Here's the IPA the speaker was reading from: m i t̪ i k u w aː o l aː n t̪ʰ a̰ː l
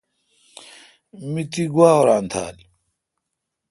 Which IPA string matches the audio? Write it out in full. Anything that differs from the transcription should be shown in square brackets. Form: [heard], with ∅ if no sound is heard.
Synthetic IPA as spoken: m i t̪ i [ɡ] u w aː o [ɾ] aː n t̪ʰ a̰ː l